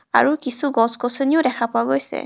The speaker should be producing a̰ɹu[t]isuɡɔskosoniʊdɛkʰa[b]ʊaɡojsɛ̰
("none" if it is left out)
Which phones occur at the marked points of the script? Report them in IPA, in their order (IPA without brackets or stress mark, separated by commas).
k, p